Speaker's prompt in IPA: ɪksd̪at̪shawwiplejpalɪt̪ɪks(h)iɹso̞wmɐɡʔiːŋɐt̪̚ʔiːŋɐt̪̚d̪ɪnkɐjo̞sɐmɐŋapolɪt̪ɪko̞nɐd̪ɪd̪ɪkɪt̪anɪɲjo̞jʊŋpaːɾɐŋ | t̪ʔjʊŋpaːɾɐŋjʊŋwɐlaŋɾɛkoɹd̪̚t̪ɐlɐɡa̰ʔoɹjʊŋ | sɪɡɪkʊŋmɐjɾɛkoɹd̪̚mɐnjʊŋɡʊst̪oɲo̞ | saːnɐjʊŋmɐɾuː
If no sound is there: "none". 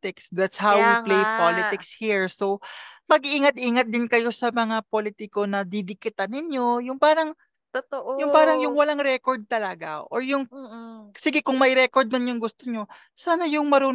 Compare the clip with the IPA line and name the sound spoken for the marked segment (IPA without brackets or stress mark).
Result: h